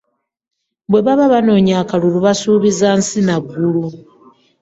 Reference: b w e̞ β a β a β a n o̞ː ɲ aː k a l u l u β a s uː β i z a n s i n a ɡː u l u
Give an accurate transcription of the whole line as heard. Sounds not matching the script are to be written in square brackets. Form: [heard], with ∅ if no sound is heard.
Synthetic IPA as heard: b w e̞ β a β a β a n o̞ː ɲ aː k a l u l u β a s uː β i z a n s i n a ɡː u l u